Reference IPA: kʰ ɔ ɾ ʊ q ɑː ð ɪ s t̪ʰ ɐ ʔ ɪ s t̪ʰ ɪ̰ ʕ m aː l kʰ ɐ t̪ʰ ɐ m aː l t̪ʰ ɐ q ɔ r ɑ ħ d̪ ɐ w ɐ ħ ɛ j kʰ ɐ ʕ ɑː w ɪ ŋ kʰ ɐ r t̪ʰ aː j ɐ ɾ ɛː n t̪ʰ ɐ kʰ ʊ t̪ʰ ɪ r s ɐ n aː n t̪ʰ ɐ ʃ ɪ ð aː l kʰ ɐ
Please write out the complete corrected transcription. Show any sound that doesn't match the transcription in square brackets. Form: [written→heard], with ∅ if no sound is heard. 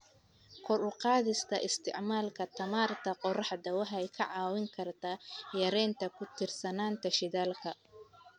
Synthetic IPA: kʰ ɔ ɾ ʊ q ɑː ð ɪ s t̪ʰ ɐ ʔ ɪ s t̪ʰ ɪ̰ ʕ m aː l kʰ ɐ t̪ʰ ɐ m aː [l→r] t̪ʰ ɐ q ɔ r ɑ ħ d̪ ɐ w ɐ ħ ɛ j kʰ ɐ ʕ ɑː w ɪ ŋ kʰ ɐ r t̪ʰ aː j ɐ ɾ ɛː n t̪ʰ ɐ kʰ ʊ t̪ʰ ɪ r s ɐ n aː n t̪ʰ ɐ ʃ ɪ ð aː l kʰ ɐ